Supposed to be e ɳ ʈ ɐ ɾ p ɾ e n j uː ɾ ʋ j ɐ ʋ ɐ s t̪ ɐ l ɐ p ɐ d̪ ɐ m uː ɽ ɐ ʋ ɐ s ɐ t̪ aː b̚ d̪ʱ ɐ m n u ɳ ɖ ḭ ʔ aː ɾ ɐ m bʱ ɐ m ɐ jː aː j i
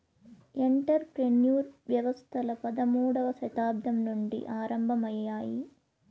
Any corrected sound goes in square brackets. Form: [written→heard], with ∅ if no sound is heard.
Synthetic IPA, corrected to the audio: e ɳ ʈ ɐ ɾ p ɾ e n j uː ɾ ʋ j ɐ ʋ ɐ s [t̪→t̪ʰ] ɐ l ɐ p ɐ d̪ ɐ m uː ɽ ɐ ʋ ɐ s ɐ t̪ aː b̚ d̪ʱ ɐ m n u ɳ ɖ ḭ ʔ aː ɾ ɐ m bʱ ɐ m ɐ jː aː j i